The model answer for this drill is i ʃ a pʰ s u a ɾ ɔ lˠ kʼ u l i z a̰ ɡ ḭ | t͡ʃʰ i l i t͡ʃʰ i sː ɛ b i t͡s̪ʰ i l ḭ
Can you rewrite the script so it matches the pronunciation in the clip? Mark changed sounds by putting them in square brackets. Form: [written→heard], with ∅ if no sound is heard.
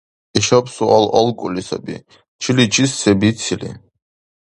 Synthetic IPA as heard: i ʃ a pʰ s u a [ɾ→l] ɔ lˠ kʼ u l i [z→s] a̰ [ɡ→b] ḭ | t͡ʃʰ i l i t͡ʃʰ i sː ɛ b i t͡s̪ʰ i l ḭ